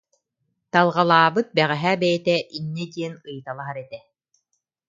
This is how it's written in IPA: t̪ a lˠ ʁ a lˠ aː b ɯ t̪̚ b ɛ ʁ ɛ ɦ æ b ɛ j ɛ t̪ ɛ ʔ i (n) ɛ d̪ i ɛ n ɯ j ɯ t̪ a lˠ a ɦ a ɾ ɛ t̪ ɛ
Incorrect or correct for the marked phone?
incorrect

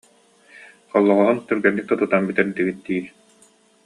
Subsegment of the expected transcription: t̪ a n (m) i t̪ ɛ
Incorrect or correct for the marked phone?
incorrect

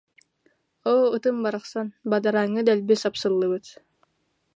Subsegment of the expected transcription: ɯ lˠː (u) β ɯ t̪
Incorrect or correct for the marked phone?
incorrect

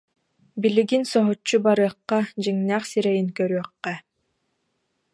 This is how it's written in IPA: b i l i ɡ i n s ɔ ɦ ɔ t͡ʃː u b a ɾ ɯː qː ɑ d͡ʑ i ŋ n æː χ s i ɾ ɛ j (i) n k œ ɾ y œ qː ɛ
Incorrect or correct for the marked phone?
correct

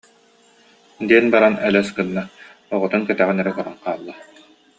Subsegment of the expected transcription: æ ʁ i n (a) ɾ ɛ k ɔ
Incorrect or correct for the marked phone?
incorrect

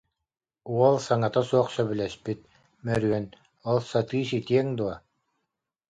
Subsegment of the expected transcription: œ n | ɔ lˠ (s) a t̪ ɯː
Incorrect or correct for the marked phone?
correct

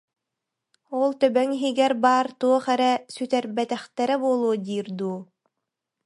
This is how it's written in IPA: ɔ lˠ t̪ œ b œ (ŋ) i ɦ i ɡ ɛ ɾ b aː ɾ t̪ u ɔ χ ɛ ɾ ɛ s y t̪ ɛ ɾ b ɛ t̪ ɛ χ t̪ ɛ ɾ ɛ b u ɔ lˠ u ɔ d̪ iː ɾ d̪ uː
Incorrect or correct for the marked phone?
correct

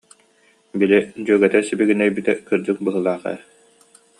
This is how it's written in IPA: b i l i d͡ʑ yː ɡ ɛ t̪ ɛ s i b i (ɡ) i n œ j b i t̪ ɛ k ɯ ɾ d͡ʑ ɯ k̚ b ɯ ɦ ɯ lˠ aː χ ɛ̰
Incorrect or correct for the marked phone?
correct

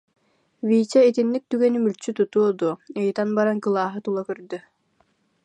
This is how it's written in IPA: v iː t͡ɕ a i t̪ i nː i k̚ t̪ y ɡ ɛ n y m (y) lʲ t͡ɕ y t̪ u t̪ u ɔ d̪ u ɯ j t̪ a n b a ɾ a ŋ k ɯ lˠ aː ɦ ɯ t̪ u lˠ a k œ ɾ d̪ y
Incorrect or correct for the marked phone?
correct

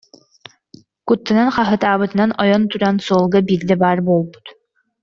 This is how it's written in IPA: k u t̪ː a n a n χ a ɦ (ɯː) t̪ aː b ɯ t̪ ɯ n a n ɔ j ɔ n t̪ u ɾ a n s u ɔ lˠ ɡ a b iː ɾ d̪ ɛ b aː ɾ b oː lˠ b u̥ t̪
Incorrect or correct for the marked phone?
incorrect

